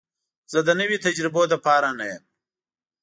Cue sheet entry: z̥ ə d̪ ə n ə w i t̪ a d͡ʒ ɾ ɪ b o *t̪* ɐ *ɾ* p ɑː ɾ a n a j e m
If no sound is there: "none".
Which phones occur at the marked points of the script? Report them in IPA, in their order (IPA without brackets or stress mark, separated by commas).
d̪, none